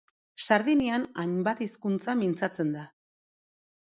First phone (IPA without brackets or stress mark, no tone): s